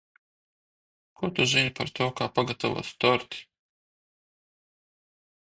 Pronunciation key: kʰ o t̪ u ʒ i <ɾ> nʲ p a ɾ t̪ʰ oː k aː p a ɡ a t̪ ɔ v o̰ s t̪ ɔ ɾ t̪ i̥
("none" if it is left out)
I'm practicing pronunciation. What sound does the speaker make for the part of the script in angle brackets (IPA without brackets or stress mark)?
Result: none